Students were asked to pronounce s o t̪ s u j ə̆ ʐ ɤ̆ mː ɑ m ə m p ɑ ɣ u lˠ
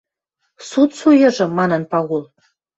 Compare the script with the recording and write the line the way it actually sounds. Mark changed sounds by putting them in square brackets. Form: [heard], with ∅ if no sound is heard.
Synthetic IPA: s [u] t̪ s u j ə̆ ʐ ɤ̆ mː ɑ [n] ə [n] p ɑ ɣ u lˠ